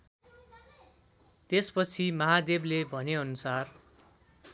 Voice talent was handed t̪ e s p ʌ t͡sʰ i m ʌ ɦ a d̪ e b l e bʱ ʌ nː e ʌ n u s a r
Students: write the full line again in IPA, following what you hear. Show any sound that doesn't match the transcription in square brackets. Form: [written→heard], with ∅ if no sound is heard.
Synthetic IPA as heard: t̪ e s p ʌ t͡sʰ i m ʌ ɦ a d̪ e b l e bʱ ʌ [nː→n] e ʌ n u s a r